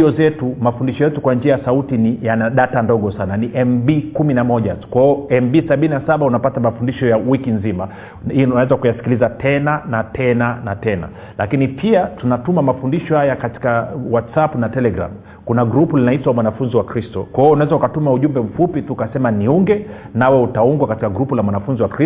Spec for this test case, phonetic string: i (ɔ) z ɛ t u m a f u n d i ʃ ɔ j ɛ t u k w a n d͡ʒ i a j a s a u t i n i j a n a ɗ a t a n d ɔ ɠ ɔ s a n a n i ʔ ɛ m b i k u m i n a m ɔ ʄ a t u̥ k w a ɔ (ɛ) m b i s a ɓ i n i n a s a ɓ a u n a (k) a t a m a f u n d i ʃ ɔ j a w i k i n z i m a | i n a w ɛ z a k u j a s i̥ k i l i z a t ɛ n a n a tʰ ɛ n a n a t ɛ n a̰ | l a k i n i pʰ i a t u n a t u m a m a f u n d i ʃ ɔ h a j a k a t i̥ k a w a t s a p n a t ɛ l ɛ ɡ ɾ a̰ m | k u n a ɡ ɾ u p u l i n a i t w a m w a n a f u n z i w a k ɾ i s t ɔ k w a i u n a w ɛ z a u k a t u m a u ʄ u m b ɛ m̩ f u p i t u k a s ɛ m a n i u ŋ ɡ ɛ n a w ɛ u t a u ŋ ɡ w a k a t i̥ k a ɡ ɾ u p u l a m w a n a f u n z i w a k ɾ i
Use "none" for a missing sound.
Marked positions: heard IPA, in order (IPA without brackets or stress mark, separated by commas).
ɔ, ɛ, p